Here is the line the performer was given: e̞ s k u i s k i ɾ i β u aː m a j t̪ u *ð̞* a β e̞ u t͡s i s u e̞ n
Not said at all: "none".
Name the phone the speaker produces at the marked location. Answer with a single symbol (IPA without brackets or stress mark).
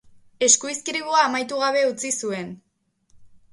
ɣ̞